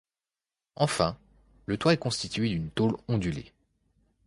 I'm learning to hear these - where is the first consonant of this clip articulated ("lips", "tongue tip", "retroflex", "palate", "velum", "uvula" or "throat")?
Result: lips